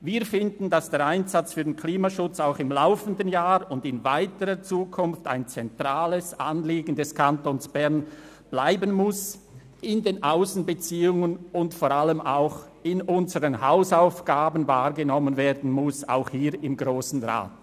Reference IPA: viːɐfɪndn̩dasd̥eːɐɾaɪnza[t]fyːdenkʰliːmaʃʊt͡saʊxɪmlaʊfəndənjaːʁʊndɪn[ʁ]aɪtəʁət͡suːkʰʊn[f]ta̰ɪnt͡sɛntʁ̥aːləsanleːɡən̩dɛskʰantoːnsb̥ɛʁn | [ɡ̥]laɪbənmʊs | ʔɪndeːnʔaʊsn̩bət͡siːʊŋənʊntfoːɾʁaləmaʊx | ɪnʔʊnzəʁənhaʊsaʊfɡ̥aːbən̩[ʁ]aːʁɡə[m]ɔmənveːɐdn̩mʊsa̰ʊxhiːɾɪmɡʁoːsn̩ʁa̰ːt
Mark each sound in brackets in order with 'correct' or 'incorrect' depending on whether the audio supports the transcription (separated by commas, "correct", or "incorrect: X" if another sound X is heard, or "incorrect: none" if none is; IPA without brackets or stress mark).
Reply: incorrect: t͡s, incorrect: v, correct, incorrect: b̥, incorrect: v, incorrect: n